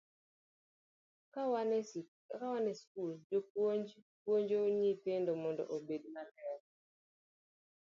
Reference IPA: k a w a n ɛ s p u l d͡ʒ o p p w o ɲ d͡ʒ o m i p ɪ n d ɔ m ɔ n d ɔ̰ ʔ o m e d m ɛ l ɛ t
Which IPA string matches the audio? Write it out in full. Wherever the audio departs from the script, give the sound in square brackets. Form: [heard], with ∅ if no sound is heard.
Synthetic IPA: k a w a n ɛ s [k] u l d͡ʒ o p p w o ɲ d͡ʒ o [ɲ] i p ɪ n d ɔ m ɔ n d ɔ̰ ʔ o [b] e d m [a] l ɛ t